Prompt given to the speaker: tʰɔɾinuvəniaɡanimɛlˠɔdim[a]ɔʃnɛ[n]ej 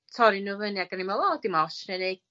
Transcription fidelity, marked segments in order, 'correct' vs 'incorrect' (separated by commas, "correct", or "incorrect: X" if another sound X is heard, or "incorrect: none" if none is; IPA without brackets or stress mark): correct, correct